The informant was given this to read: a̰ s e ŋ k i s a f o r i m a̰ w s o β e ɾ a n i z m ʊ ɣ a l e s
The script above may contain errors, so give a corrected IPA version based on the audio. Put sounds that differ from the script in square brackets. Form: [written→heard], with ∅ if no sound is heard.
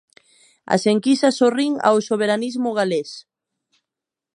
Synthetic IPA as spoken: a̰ s e ŋ k i s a [f→s] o r i [m→ŋ] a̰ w s o β e ɾ a n i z m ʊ ɣ a l e s